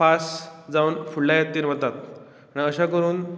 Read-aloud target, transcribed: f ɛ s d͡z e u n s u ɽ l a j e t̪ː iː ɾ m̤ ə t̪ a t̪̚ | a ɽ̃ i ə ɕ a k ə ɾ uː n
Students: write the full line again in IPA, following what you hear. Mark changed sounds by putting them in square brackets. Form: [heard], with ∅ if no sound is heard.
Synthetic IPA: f [a] s d͡z [a] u n [f] u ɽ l a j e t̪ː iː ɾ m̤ ə t̪ a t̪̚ | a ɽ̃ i ə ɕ a k ə ɾ uː n